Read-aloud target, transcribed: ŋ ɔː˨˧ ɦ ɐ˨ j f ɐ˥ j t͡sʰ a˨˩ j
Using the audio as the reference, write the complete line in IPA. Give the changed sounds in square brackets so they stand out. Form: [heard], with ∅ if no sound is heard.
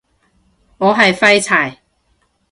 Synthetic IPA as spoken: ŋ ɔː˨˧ ɦ ɐ˨ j f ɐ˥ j t͡sʰ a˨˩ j